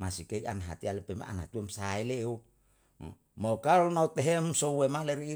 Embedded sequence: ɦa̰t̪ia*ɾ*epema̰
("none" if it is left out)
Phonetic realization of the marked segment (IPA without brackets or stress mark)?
l